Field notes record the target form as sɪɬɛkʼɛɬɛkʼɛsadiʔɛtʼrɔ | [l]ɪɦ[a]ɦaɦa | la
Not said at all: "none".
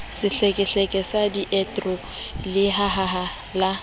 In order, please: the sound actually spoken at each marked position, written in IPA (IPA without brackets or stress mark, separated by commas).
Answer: l, a